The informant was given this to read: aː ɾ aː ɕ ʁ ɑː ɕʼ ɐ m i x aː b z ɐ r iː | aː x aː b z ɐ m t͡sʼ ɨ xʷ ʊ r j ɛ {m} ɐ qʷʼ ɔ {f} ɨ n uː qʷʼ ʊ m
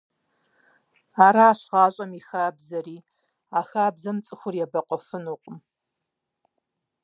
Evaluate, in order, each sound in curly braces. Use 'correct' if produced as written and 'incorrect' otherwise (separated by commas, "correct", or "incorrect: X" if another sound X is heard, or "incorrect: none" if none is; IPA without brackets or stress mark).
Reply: incorrect: b, correct